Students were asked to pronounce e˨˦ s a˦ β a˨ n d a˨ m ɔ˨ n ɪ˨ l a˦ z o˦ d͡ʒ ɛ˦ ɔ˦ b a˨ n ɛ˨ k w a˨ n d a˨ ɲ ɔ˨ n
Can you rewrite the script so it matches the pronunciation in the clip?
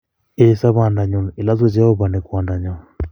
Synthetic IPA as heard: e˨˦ s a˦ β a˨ n d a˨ ɲ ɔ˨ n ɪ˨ l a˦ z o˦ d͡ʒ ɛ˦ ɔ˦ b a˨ n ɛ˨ k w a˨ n d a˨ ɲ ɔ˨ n